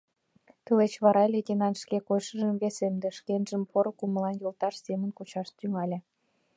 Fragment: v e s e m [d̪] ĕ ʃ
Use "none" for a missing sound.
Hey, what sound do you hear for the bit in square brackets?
d̪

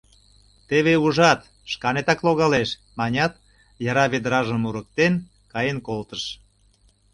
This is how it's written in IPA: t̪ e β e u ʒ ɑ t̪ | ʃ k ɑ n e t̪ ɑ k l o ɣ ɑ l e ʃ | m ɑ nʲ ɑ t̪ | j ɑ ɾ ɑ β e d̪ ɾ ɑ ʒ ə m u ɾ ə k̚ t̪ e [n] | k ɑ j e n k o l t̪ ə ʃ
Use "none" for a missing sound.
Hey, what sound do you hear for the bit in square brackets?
n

